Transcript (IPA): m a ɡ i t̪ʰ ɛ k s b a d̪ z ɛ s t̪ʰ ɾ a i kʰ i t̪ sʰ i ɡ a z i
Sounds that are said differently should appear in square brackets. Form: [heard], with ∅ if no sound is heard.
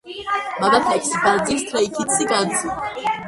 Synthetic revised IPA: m a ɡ [a] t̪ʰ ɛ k s b a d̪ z [i] s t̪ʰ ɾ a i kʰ i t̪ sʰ i ɡ a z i